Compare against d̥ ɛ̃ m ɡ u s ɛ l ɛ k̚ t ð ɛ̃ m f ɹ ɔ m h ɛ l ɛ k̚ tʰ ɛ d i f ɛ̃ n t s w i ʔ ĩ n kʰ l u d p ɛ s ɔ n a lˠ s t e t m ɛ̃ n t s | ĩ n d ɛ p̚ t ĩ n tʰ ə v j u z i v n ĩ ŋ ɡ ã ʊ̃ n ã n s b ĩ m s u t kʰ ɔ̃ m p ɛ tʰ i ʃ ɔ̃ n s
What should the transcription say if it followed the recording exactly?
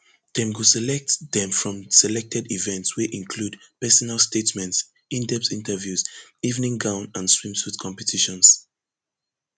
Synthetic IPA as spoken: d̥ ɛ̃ m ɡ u s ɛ l ɛ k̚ t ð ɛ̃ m f ɹ ɔ̃ m s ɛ l ɛ k̚ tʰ ɛ d i v ɛ̃ n t s w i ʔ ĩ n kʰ l u d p ɛ s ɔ n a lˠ s t e t m ɛ̃ n t s | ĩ n d ɛ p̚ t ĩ n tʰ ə v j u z i v n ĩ ŋ ɡ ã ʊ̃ n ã n s w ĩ m s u t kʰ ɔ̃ m p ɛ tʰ i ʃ ɔ̃ n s